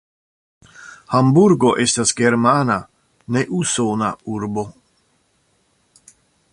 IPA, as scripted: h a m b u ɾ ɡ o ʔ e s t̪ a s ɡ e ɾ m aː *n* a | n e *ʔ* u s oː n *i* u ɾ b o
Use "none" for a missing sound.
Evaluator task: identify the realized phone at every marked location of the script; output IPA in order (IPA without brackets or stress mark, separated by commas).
n, ʔ, a